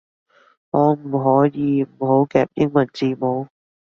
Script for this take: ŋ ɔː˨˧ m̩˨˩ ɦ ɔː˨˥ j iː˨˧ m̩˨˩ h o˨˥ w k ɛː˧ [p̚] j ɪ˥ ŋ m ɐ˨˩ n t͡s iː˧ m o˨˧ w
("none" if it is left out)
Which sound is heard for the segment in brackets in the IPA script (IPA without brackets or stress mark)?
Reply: p̚